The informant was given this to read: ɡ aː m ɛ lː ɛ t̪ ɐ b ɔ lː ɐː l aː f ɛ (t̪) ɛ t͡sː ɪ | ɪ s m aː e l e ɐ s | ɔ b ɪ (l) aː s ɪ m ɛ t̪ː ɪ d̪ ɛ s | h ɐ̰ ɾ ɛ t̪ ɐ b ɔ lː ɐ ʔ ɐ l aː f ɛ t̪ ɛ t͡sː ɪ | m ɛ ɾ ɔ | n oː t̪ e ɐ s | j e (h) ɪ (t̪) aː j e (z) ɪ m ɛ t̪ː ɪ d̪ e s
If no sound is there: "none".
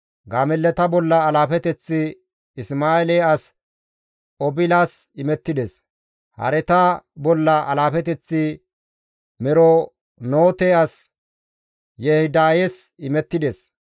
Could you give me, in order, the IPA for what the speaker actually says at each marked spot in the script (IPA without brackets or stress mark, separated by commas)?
t̪, l, h, d̪, s